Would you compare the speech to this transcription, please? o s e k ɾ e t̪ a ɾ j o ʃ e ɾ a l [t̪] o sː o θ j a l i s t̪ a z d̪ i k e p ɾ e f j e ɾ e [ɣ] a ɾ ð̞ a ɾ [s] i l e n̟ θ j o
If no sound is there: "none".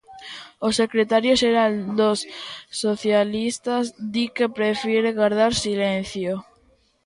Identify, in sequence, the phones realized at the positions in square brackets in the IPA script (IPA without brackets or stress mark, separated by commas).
d̪, ɣ, s